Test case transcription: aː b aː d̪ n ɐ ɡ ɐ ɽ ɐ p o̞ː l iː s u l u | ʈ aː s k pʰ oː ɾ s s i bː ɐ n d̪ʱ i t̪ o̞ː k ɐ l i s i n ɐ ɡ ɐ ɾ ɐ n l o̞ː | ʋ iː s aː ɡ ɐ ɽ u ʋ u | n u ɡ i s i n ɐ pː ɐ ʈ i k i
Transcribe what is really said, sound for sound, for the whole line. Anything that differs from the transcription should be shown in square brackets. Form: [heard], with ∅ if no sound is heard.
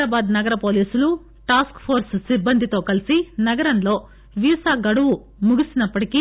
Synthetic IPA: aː b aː d̪ n ɐ ɡ ɐ [ɾ] ɐ p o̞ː l iː s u l u | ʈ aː s k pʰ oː ɾ s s i bː ɐ n d̪ʱ i t̪ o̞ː k ɐ l i s i n ɐ ɡ ɐ ɾ ɐ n l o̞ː | ʋ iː s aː ɡ ɐ ɽ u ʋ u | [m] u ɡ i s i n ɐ pː ɐ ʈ i k i

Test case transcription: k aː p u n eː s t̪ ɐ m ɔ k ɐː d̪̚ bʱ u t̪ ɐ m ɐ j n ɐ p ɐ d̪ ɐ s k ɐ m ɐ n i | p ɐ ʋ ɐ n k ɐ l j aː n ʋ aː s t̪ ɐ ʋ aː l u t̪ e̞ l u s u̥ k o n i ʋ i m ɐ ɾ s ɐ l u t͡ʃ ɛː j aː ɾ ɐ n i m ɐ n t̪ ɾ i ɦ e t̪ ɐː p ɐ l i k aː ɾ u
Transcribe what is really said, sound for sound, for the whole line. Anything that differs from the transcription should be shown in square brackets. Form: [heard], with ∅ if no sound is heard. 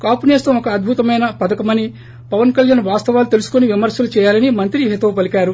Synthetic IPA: k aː p u n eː s t̪ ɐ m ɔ k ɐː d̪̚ bʱ u t̪ ɐ m ɐ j n ɐ p ɐ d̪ ɐ [∅] k ɐ m ɐ n i | p ɐ ʋ ɐ n k ɐ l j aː n ʋ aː s t̪ ɐ ʋ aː l u t̪ e̞ l u s u̥ k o n i ʋ i m ɐ ɾ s ɐ l u t͡ʃ ɛː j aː [l] ɐ n i m ɐ n t̪ ɾ i ɦ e t̪ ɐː p ɐ l i k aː ɾ u

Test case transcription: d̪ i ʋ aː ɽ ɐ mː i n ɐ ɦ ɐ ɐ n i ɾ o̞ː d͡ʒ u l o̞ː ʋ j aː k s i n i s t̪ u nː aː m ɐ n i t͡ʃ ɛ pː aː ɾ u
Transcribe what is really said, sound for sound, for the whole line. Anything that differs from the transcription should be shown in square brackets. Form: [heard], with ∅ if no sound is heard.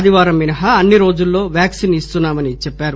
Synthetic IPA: d̪ i ʋ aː [ɾ] ɐ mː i n ɐ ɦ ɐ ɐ [nː] i ɾ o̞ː d͡ʒ u [lː] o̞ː ʋ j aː k s i n i s t̪ u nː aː m ɐ n i t͡ʃ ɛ pː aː ɾ u

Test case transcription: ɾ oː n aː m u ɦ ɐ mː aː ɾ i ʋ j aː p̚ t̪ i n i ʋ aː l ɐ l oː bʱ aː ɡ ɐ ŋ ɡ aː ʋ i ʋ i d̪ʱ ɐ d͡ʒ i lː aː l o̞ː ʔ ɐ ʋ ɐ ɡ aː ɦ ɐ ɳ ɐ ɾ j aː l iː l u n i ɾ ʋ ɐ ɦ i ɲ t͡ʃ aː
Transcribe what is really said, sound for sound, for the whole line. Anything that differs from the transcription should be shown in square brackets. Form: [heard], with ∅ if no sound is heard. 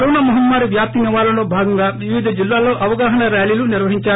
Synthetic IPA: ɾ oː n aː m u ɦ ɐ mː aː ɾ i ʋ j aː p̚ t̪ i n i ʋ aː l ɐ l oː bʱ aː ɡ ɐ ŋ ɡ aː ʋ i ʋ i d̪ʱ ɐ d͡ʒ i lː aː l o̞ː ʔ ɐ ʋ ɐ ɡ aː ɦ ɐ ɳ ɐ ɾ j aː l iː l u n i ɾ ʋ ɐ ɦ i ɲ t͡ʃ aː

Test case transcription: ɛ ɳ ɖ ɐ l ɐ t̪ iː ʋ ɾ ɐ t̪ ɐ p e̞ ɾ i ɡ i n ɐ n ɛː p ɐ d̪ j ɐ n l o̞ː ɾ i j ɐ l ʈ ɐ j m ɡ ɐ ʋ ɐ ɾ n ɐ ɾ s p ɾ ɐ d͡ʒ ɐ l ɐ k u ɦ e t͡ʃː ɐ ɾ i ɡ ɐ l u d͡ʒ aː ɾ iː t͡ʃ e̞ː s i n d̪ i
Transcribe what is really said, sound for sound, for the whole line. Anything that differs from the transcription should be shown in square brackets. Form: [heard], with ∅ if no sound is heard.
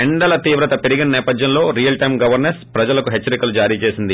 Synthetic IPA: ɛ ɳ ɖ ɐ l ɐ t̪ iː ʋ ɾ ɐ t̪ ɐ p e̞ ɾ i ɡ i n ɐ n ɛː p ɐ d̪ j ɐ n l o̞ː ɾ i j ɐ l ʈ ɐ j m ɡ ɐ ʋ ɐ ɾ n ɐ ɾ s p ɾ ɐ d͡ʒ ɐ l ɐ k u ɦ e t͡ʃː ɐ ɾ i [k] ɐ l u d͡ʒ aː ɾ iː t͡ʃ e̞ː s i n d̪ i

